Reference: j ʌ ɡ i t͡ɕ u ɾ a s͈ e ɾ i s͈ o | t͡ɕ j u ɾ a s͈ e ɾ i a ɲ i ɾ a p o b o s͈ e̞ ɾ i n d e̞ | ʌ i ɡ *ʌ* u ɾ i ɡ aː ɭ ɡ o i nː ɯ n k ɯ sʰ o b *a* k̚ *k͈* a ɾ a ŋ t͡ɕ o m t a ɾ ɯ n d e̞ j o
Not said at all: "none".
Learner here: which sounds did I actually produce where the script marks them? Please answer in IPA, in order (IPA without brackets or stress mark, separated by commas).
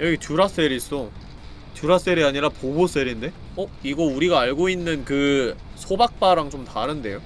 ʌ, a, p͈